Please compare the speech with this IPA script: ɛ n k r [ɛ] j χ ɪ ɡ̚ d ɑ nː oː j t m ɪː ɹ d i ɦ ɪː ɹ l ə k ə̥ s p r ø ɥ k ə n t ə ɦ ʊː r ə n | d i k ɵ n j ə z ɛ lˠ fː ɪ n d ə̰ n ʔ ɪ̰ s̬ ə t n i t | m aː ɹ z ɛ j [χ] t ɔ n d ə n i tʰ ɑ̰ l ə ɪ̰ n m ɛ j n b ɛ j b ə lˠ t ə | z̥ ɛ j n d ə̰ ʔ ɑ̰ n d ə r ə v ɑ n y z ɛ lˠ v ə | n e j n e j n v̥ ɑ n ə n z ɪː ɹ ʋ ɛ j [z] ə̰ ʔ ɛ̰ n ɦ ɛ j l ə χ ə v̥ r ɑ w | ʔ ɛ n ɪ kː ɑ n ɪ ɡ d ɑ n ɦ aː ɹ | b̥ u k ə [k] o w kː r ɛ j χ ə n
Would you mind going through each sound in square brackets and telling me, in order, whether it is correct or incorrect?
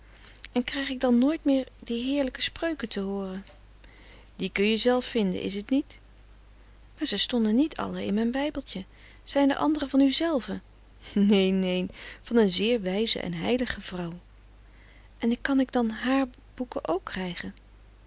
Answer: correct, incorrect, correct, incorrect

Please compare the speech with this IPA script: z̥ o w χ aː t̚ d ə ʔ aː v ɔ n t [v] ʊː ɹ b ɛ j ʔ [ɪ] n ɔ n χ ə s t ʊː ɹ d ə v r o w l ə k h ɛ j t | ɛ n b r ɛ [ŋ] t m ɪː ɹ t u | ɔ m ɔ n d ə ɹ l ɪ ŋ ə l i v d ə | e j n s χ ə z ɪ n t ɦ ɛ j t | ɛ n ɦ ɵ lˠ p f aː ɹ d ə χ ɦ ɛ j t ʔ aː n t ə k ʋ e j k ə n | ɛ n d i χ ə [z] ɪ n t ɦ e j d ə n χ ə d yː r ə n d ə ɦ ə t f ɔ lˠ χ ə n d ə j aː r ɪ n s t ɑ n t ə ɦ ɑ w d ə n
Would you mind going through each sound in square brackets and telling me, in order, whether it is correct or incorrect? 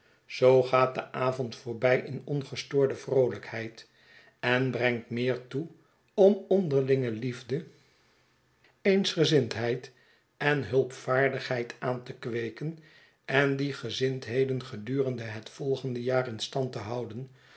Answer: incorrect, correct, correct, correct

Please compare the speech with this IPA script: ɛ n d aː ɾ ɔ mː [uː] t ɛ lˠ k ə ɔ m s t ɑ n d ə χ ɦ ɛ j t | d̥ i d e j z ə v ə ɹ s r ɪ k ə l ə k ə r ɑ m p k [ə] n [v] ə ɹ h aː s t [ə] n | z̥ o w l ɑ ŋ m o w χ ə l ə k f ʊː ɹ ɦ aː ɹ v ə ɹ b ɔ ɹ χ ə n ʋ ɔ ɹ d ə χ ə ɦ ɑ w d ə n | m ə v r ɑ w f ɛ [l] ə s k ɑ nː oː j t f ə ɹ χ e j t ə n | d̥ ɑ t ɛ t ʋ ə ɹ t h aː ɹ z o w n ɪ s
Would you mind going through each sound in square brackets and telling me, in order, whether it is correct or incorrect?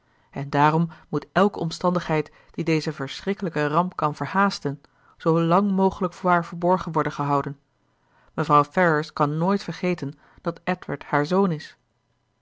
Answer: incorrect, incorrect, correct, correct, incorrect

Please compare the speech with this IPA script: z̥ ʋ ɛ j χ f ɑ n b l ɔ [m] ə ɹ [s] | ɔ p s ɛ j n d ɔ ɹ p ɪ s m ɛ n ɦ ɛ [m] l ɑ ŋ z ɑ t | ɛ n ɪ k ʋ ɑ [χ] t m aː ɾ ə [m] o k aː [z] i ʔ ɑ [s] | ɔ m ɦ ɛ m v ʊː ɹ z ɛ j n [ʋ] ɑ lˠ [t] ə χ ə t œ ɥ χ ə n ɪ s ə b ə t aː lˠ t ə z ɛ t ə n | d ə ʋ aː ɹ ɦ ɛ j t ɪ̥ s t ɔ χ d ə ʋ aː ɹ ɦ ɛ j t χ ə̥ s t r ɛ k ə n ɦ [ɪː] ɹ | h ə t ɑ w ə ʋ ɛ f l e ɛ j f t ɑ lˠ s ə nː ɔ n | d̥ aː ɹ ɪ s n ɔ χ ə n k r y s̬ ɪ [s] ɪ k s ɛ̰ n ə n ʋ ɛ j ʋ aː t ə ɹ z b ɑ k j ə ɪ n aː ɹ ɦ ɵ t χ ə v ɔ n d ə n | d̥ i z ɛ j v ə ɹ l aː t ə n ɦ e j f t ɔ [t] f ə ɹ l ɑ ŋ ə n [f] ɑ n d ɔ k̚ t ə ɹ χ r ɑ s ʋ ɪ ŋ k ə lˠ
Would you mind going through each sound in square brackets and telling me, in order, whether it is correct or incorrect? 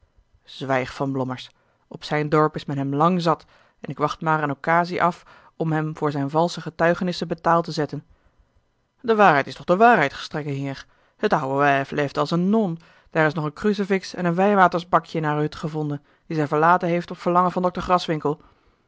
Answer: correct, correct, correct, correct, incorrect, correct, incorrect, incorrect, incorrect, incorrect, incorrect, incorrect, incorrect

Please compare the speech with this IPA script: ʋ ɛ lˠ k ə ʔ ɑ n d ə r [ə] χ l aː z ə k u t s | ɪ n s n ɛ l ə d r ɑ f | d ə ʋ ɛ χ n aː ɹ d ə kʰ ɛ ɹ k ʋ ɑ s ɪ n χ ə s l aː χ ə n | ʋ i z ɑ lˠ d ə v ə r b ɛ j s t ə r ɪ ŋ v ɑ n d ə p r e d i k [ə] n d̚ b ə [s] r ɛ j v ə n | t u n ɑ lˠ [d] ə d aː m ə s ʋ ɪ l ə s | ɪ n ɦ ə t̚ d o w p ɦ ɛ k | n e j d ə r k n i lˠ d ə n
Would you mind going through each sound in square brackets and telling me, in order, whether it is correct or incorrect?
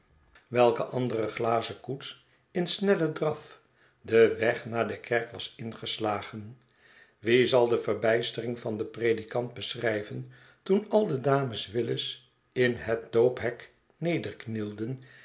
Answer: correct, incorrect, correct, correct

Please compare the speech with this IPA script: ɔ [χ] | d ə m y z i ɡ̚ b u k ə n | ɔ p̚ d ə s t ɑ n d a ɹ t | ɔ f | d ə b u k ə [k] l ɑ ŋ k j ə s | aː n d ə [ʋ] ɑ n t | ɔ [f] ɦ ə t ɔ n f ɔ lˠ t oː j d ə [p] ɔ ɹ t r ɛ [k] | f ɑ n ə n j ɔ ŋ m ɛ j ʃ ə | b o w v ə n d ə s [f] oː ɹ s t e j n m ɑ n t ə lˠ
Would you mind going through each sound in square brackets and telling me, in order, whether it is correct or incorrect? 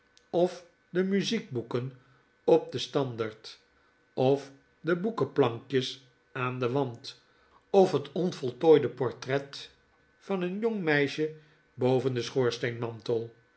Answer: incorrect, incorrect, correct, correct, correct, incorrect, incorrect

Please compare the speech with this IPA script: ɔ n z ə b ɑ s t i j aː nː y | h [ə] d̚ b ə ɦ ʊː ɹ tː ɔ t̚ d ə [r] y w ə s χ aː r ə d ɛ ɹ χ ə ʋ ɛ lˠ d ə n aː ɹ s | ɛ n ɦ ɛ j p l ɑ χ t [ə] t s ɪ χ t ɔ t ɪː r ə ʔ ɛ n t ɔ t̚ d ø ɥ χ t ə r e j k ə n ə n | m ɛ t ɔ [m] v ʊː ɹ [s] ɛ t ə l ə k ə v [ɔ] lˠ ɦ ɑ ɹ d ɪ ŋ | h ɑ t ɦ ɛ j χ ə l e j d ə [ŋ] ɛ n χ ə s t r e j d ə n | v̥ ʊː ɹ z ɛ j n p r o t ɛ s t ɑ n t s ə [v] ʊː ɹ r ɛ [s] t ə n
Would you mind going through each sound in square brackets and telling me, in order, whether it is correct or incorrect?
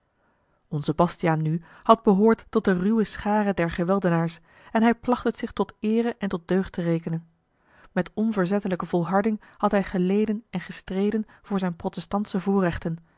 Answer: incorrect, correct, correct, incorrect, incorrect, correct, incorrect, correct, incorrect

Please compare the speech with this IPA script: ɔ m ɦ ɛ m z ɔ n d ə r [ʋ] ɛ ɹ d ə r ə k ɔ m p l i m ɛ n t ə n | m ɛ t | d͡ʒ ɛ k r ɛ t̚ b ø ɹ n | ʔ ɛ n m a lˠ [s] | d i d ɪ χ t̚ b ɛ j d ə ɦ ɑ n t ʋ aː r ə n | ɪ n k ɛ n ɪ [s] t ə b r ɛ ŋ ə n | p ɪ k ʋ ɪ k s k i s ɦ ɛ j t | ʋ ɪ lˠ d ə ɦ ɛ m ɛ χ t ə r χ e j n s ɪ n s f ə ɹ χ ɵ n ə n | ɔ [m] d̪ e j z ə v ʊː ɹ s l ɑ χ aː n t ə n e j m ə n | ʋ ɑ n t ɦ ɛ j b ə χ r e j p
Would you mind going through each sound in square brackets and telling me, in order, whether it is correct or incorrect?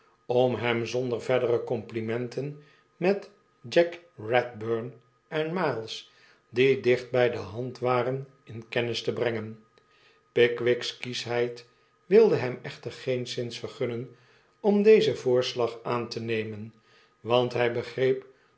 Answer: incorrect, correct, correct, correct

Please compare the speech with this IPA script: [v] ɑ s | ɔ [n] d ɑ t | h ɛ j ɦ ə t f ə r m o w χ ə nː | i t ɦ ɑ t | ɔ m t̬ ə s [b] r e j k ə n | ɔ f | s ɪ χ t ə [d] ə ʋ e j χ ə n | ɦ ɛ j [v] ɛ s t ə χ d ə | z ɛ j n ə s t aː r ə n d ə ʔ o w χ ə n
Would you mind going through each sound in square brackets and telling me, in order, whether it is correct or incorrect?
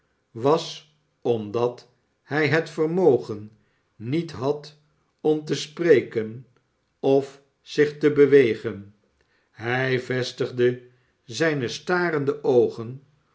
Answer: incorrect, incorrect, incorrect, incorrect, correct

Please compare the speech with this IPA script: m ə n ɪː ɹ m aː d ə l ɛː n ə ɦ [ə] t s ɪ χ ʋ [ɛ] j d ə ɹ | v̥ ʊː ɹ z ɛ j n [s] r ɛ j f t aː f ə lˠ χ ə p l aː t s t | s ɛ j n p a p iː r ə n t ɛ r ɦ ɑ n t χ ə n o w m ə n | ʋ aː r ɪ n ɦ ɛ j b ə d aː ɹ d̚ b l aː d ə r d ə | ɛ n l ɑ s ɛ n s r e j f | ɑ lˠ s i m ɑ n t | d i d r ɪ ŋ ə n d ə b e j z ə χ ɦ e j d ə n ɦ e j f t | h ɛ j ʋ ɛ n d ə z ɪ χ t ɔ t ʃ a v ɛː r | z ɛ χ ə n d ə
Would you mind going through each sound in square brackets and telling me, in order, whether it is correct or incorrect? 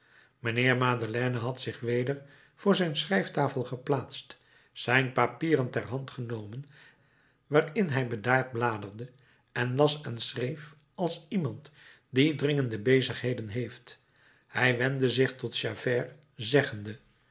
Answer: incorrect, incorrect, correct

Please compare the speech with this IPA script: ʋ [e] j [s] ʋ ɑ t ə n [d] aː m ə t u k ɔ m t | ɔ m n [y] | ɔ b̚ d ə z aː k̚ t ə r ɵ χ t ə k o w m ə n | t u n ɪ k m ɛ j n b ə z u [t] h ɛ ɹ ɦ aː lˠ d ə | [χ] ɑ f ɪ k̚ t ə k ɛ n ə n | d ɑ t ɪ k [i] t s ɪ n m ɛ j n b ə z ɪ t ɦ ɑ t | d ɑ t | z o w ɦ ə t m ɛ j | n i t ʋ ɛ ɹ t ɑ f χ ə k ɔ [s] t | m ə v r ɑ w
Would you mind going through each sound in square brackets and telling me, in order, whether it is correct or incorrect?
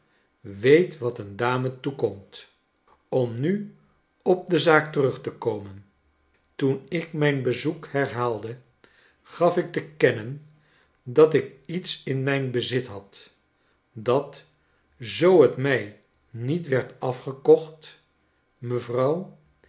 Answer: correct, incorrect, correct, correct, incorrect, correct, correct, incorrect

